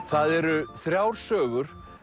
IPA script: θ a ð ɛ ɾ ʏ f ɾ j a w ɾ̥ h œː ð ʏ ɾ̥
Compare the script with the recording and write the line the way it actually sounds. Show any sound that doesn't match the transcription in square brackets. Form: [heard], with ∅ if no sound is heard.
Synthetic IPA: θ a ð ɛ ɾ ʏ [θ] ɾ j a w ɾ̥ [s] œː [ɣ] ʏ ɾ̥